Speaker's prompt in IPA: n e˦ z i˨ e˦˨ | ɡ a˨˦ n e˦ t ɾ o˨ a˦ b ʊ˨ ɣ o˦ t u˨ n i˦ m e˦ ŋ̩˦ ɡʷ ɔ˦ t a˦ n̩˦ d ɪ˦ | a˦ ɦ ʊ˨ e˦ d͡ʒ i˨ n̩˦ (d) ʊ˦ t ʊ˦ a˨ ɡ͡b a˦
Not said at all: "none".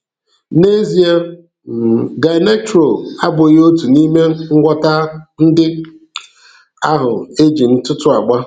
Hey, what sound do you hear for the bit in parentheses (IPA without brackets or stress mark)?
t